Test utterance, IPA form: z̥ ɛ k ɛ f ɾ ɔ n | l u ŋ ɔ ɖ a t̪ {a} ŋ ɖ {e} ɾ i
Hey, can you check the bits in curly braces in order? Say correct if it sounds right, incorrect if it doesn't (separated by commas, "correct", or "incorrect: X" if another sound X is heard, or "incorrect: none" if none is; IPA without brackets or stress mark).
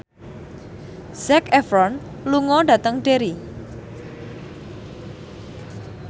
incorrect: ə, correct